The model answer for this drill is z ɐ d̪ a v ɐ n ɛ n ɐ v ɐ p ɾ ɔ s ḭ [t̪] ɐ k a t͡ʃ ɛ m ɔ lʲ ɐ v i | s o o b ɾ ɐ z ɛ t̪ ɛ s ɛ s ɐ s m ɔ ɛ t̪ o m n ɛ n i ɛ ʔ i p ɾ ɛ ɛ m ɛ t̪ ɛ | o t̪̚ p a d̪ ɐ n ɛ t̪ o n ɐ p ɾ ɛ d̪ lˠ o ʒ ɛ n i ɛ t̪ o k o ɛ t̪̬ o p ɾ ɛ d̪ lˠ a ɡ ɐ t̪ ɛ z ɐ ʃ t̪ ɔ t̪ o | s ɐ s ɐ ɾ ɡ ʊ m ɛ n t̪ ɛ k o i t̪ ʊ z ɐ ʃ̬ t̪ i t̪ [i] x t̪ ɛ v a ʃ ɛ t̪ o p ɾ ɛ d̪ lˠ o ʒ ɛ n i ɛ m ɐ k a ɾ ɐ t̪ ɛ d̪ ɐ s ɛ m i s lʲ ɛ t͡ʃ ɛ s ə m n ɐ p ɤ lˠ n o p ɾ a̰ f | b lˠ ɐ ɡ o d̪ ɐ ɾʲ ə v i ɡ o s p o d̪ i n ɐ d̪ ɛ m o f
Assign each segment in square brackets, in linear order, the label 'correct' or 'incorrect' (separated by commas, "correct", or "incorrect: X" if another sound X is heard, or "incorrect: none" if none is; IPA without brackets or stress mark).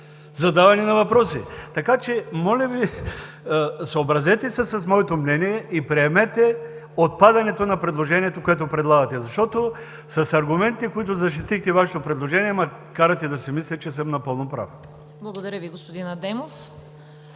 correct, correct